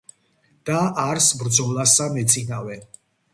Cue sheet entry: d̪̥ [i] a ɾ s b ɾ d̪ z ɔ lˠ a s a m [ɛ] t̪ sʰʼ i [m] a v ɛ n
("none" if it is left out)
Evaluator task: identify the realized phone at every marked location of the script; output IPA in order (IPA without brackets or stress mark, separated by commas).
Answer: a, ɛ, n